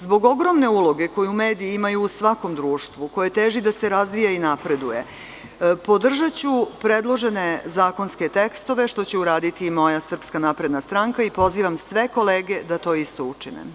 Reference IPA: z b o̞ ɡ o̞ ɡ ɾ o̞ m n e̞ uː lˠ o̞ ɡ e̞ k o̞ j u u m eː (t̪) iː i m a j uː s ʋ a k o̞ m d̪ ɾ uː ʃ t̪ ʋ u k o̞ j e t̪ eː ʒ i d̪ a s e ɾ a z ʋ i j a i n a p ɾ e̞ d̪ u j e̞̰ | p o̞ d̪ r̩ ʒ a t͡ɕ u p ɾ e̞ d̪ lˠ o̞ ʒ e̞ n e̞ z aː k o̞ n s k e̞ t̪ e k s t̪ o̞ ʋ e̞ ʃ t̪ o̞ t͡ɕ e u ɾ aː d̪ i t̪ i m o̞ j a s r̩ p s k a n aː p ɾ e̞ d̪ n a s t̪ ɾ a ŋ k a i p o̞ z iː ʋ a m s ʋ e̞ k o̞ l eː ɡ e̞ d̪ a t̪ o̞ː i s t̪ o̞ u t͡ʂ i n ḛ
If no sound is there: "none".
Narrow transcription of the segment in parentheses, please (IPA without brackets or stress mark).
d̪